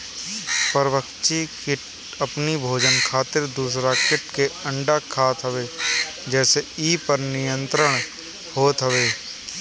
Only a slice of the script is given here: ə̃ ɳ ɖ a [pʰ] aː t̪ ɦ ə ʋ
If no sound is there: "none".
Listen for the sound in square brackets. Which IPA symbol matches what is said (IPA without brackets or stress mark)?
kʰ